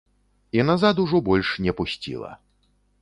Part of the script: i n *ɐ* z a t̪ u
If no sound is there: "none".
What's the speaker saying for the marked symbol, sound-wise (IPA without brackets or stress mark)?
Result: a